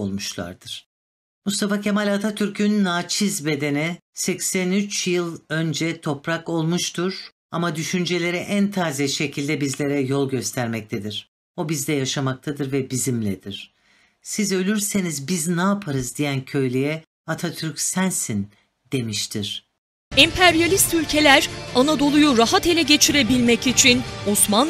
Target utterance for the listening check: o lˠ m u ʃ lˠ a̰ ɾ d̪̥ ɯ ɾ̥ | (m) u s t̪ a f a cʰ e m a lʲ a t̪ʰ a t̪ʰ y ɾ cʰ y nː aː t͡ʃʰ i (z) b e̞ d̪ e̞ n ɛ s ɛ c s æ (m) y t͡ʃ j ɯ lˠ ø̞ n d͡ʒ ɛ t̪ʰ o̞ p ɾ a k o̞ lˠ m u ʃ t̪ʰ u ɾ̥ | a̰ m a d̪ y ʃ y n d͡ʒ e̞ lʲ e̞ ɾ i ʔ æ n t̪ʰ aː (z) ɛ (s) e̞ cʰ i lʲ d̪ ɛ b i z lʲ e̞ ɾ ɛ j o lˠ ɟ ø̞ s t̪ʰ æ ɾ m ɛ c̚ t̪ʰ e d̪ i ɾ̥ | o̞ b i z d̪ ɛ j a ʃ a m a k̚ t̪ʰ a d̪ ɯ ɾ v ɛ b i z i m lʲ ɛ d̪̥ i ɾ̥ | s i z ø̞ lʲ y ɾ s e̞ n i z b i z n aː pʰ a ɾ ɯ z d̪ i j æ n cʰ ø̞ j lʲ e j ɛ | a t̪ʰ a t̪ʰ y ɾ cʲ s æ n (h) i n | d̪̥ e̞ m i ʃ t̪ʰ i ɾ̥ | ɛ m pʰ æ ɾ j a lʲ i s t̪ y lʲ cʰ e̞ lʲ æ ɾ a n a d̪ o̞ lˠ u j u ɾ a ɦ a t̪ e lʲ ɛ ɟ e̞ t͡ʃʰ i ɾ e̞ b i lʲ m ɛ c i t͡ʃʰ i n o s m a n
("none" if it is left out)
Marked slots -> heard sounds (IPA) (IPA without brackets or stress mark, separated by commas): m, z, n, z, ʃ, s